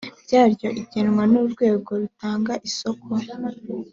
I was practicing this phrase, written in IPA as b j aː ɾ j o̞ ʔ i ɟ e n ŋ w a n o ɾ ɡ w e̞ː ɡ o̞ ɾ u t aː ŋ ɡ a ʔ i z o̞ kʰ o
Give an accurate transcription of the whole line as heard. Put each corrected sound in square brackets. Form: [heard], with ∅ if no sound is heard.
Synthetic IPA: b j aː ɾ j o̞ ʔ i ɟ e n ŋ w a n [u] ɾ ɡ w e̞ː ɡ o̞ ɾ u t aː ŋ ɡ a ʔ i [s] o̞ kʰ o